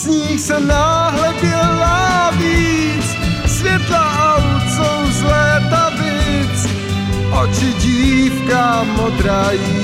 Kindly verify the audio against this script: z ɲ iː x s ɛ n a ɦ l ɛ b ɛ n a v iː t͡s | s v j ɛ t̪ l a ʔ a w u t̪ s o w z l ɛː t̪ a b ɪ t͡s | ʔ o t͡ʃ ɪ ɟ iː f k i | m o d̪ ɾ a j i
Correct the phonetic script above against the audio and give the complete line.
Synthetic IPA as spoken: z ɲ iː x s ɛ n a ɦ l ɛ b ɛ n a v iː t͡s | s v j ɛ t̪ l a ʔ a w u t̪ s o w z l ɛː t̪ a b ɪ t͡s | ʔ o t͡ʃ ɪ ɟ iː f k a | m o d̪ ɾ a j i